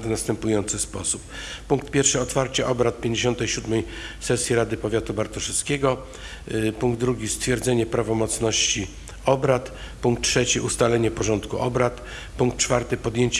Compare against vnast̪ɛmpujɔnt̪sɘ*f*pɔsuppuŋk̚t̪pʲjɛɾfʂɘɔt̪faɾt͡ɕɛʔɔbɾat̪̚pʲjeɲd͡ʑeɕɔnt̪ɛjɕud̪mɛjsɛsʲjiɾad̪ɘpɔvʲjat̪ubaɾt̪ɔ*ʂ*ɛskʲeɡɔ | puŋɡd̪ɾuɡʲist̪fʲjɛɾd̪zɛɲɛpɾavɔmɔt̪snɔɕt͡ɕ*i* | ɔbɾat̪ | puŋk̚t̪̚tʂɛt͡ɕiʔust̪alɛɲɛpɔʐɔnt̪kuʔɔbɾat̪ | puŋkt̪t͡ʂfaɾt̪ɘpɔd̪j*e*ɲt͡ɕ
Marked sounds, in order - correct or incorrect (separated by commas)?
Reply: incorrect, correct, correct, correct